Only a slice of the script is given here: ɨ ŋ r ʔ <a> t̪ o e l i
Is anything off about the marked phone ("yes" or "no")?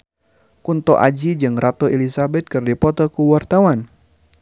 no